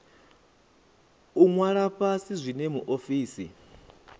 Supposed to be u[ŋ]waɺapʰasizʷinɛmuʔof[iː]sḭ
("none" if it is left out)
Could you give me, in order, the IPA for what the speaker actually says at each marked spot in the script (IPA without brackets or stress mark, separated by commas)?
ŋ, iː